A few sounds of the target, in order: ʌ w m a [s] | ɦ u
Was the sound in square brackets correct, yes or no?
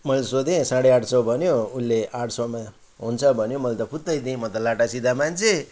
no